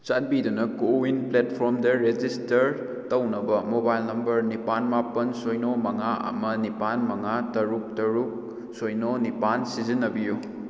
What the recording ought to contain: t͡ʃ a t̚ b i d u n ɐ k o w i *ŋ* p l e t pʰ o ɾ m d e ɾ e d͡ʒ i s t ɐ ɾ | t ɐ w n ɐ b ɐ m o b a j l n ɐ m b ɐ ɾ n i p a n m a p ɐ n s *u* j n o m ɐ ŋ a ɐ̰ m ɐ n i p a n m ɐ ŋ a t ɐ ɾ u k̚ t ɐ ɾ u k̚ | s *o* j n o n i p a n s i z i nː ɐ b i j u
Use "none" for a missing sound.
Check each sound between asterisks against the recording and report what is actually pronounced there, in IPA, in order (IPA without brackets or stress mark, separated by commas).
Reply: n, o, o